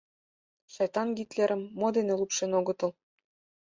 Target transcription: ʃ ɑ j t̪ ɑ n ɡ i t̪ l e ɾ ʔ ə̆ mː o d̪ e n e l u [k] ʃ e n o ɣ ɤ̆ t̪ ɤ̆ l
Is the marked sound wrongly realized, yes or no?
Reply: yes